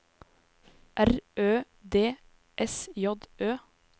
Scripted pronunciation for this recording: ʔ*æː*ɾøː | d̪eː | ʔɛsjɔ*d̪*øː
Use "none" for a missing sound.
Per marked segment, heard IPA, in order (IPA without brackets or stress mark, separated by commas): æ, d̪